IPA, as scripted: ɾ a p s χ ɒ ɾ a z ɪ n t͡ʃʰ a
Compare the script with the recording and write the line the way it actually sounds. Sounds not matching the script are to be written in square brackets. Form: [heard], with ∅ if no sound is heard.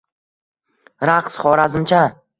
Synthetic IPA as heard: ɾ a [q] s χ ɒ ɾ a z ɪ [m] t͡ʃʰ a